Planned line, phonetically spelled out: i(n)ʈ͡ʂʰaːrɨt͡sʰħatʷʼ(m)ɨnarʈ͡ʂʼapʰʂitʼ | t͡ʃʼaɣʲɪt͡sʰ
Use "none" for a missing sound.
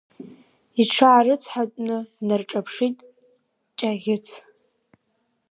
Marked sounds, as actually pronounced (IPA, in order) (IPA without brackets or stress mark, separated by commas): none, n